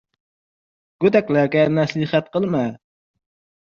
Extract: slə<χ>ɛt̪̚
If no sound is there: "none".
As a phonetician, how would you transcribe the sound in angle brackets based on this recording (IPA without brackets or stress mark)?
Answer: χ